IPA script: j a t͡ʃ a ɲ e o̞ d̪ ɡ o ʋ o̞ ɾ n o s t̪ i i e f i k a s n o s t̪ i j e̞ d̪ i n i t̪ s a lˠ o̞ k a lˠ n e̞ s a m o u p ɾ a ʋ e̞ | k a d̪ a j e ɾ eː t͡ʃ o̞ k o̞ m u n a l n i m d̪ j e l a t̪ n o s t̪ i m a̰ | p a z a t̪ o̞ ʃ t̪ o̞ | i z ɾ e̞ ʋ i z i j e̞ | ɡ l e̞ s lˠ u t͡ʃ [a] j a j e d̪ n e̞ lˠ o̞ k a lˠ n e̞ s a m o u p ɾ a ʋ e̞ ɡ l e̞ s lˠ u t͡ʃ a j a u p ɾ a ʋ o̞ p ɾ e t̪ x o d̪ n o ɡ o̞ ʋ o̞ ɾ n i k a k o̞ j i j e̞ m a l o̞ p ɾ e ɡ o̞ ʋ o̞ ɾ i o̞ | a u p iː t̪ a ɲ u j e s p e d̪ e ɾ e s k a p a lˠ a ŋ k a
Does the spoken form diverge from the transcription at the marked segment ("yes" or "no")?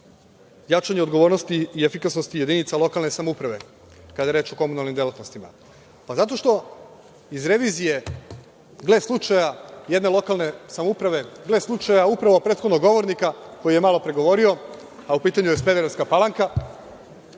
no